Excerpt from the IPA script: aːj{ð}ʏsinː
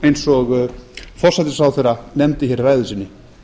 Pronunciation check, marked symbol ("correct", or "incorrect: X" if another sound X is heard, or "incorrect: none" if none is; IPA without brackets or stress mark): correct